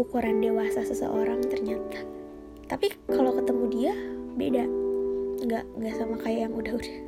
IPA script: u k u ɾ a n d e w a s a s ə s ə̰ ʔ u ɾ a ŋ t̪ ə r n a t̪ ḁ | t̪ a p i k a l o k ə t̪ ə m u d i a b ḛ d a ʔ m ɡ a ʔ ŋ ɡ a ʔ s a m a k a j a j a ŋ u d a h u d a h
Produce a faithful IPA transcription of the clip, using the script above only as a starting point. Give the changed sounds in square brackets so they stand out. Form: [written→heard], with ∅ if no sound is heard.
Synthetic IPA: u k u ɾ a n d e w a s a s ə s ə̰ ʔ [u→o] ɾ a ŋ t̪ ə r [n→ɲ] a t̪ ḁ | t̪ a p i k a l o k ə t̪ ə m u d i a b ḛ d a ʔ [m→ŋ] ɡ a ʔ ŋ ɡ a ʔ s a m a k a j a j a ŋ u d a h u d a h